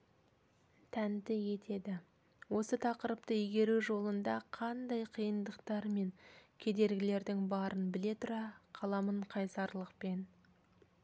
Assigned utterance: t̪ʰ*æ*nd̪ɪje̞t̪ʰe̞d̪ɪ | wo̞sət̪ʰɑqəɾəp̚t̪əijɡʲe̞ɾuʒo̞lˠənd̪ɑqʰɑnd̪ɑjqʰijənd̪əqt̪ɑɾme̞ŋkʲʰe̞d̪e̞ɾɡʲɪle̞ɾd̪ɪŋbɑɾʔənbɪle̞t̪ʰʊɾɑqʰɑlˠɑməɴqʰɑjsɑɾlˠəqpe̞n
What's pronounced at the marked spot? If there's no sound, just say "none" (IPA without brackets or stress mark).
æ